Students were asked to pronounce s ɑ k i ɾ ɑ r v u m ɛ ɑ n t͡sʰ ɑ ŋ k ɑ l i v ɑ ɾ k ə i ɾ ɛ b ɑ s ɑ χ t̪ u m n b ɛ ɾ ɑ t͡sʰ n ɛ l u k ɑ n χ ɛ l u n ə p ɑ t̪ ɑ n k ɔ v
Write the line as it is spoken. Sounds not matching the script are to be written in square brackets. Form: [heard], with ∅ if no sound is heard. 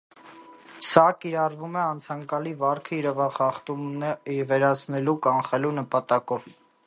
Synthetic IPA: s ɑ k i ɾ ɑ r v u m ɛ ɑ n t͡sʰ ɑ ŋ k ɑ l i v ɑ ɾ [kʰ] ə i ɾ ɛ [v] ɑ [χ] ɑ χ t̪ u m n [v] ɛ ɾ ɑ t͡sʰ n ɛ l u k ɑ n χ ɛ l u n ə p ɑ t̪ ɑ [∅] k ɔ v